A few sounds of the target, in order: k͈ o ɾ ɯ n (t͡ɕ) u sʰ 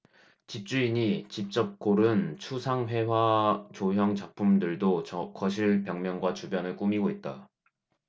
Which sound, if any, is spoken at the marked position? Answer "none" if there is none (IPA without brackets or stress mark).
t͡ɕʰ